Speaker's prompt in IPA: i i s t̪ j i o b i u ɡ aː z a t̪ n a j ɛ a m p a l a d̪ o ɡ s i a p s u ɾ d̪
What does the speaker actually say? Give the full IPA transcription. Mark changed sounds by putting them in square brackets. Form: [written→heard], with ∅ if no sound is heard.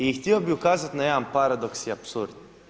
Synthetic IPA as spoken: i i [s→x] t̪ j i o b i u [ɡ→k] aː z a t̪ n a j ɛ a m p a [l→ɾ] a d̪ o [ɡ→k] s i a p s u ɾ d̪